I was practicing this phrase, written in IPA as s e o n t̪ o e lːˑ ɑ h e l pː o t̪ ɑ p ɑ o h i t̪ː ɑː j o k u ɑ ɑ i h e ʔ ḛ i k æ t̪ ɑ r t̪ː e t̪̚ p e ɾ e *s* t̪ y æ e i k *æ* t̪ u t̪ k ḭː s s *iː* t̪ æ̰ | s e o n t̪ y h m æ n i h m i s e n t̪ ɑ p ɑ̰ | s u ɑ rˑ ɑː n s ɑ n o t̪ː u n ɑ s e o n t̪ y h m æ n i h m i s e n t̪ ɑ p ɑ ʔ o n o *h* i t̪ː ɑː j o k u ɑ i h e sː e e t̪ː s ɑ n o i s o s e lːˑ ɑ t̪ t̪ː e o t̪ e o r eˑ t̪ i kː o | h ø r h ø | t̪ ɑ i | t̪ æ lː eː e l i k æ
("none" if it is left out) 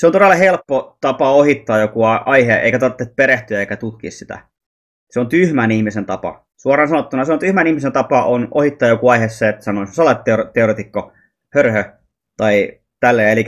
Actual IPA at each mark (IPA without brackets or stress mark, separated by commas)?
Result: h, æ, i, h